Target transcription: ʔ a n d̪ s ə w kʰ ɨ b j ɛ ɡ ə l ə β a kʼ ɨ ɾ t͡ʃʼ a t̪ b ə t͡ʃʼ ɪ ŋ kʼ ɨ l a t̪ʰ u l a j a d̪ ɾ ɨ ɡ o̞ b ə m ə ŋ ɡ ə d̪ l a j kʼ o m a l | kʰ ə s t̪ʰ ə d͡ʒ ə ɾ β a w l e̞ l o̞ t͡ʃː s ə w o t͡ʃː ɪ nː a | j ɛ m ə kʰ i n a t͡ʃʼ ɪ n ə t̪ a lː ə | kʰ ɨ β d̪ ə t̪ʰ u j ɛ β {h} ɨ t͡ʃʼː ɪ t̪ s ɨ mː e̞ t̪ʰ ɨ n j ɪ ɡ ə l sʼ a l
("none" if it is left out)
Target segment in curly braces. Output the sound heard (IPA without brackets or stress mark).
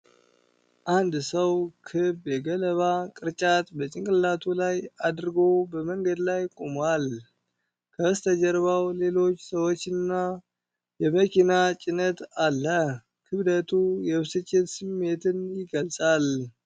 s